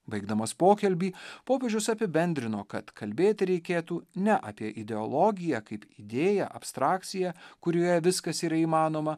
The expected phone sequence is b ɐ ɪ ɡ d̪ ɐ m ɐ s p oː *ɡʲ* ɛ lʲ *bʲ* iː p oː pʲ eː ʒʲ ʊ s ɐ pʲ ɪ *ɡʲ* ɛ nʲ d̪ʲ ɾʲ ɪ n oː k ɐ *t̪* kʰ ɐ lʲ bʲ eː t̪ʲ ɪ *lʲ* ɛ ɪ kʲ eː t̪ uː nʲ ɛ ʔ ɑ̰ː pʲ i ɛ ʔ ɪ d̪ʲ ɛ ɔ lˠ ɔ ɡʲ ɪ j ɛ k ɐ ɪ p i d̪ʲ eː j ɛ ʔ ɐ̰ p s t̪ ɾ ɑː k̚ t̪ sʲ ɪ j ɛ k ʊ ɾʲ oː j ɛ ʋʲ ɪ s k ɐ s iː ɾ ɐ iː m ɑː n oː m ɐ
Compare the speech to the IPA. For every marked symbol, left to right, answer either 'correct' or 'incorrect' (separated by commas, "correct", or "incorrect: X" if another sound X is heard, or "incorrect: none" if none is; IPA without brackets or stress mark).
incorrect: kʲ, correct, incorrect: bʲ, correct, incorrect: ɾʲ